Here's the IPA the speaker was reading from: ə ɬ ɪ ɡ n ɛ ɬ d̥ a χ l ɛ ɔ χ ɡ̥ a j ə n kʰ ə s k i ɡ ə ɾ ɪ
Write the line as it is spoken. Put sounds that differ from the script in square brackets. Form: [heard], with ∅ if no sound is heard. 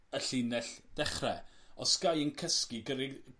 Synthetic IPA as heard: ə ɬ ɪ [∅] n ɛ ɬ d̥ [ɛ] χ [r] ɛ ɔ [s] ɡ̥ a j ə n kʰ ə s k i ɡ ə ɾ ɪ